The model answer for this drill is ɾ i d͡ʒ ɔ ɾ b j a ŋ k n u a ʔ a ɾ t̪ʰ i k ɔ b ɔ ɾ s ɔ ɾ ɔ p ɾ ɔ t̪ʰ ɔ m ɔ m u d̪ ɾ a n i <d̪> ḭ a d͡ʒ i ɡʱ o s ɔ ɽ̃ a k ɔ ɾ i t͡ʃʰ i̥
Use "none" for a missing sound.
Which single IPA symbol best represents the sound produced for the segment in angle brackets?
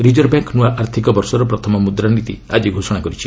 t̪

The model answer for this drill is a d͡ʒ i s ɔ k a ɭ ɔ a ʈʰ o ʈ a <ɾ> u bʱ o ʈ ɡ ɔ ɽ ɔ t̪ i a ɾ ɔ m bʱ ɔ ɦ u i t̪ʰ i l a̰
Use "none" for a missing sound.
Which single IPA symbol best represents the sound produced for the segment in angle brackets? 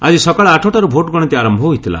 ɾ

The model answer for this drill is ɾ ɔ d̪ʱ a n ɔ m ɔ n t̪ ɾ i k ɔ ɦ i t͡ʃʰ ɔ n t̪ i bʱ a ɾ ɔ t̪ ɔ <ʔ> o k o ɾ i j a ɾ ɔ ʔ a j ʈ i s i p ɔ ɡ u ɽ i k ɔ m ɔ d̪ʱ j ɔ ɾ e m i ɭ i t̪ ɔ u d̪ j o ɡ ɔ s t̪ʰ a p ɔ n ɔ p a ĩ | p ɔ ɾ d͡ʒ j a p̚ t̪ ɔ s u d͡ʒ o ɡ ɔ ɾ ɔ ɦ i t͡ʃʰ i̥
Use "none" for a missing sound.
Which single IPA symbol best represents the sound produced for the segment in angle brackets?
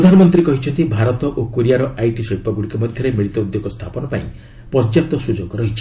ʔ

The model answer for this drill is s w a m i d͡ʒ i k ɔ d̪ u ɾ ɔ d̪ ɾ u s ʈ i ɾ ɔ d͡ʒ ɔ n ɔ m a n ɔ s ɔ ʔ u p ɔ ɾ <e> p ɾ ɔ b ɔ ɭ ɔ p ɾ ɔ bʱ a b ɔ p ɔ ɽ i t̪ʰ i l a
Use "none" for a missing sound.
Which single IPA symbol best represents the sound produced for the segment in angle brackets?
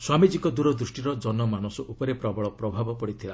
e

